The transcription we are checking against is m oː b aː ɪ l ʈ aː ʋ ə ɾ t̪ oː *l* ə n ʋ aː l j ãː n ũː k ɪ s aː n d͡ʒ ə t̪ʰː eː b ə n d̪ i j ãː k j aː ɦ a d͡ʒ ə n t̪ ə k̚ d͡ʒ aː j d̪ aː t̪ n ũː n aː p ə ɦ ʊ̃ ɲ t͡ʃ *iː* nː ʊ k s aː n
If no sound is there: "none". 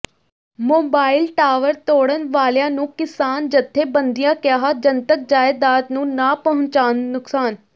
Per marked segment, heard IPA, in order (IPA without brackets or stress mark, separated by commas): ɽ, aː